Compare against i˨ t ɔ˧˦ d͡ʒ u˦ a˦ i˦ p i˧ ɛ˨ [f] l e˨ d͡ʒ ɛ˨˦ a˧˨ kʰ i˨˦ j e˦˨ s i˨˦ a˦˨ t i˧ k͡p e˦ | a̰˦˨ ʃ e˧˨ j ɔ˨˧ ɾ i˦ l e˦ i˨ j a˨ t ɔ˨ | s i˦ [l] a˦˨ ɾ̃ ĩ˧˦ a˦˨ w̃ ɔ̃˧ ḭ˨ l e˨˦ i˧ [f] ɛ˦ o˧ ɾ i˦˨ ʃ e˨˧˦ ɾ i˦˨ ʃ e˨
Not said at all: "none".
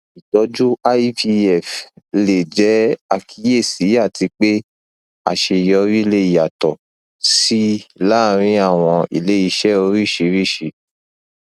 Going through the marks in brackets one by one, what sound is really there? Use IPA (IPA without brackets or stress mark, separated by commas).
f, l, ʃ